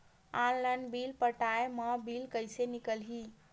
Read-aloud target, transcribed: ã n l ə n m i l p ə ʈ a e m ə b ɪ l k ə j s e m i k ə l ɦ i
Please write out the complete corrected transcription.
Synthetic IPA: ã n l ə n b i l p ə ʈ a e m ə b i l k ə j s e n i k ə l ɦ i